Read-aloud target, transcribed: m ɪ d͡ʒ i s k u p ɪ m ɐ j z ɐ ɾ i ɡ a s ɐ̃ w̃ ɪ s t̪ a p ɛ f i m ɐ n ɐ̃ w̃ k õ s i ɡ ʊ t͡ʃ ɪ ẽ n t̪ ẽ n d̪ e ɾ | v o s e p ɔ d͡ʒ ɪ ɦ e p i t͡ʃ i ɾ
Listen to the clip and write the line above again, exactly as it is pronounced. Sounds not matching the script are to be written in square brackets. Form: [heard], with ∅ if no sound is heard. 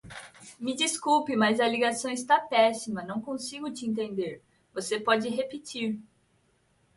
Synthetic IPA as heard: m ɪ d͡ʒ i s k u p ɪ m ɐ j z ɐ [l] i ɡ a s ɐ̃ w̃ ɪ s t̪ a p ɛ [s] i m ɐ n ɐ̃ w̃ k õ s i ɡ ʊ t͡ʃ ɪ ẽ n t̪ ẽ n d̪ e ɾ | v o s e p ɔ d͡ʒ ɪ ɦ e p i t͡ʃ i ɾ